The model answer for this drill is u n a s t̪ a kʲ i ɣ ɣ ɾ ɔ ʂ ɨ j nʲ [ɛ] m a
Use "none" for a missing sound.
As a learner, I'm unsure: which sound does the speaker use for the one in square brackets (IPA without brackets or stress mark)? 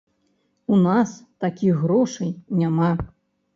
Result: a